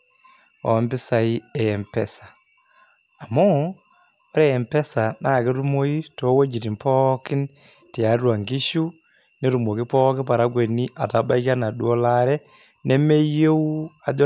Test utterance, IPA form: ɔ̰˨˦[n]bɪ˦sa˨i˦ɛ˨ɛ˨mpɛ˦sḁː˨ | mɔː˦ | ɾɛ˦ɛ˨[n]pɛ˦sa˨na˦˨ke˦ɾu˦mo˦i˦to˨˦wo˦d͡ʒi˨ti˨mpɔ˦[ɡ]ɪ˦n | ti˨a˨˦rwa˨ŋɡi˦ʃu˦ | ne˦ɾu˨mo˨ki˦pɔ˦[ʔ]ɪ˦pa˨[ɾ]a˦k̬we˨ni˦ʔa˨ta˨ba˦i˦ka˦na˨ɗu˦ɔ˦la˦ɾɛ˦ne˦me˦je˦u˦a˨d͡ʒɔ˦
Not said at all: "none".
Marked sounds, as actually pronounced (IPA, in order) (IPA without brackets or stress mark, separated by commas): m, m, k, k, ɾ